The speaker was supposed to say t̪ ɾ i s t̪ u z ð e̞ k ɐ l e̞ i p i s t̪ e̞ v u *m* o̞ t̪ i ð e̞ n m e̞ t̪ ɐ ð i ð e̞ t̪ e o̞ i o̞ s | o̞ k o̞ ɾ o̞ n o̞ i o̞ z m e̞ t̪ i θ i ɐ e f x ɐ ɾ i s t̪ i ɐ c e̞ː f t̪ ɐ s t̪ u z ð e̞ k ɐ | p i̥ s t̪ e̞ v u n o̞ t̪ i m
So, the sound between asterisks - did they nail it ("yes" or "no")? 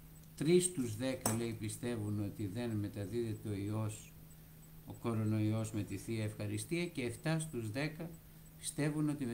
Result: no